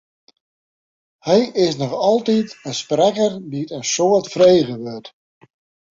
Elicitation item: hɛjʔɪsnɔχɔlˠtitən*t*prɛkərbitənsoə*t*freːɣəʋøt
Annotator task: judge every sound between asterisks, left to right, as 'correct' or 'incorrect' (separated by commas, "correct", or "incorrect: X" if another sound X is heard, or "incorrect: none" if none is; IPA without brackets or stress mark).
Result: incorrect: s, correct